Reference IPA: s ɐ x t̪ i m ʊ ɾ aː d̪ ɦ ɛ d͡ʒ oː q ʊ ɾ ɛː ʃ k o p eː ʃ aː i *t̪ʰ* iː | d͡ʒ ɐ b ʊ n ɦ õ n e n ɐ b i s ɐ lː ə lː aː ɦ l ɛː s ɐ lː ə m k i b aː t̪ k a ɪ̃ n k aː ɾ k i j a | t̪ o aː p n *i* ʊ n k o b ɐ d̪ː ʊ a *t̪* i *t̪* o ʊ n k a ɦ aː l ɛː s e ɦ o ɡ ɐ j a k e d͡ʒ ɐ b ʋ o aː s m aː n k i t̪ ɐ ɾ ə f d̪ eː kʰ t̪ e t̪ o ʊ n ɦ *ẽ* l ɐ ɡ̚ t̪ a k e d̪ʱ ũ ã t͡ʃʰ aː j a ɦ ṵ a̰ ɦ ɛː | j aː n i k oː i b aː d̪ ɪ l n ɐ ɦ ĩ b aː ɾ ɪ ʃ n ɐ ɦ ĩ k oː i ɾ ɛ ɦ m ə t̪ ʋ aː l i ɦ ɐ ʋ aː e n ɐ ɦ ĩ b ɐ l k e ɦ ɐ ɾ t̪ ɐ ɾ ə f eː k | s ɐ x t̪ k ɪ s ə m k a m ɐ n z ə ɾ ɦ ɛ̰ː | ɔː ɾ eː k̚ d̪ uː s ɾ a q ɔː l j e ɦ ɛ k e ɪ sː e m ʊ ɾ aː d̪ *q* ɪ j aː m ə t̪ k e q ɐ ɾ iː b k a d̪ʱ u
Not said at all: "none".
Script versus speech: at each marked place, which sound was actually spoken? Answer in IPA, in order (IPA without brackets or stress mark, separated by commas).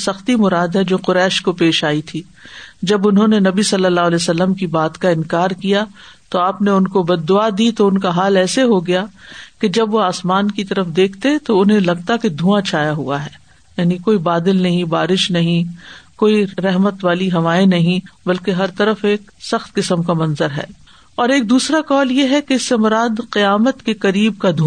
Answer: t̪ʰ, e, d̪, t̪, ẽ, q